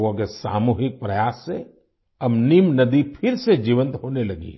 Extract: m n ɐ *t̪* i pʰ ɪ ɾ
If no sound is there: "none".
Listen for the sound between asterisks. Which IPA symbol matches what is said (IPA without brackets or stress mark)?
d̪